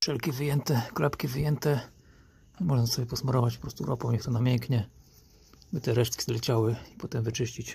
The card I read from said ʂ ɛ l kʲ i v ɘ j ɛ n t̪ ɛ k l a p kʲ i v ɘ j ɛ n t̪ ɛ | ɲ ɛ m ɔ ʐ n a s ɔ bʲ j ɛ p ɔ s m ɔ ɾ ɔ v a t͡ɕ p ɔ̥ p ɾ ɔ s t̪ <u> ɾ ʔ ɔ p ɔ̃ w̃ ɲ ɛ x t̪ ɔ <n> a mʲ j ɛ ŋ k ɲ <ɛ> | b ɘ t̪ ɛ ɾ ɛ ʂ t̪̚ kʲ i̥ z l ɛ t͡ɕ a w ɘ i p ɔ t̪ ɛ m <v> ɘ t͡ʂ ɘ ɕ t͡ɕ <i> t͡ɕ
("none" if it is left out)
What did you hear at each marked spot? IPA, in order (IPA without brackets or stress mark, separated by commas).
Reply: u, n, ɛ, v, i